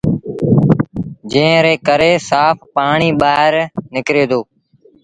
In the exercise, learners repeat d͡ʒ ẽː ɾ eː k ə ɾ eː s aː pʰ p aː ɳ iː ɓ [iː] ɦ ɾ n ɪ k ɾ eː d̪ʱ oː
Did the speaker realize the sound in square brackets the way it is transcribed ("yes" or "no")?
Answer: no